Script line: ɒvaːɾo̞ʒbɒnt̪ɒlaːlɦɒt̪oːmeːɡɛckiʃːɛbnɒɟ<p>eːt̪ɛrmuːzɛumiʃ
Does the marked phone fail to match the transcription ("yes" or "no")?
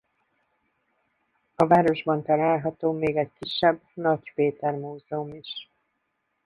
no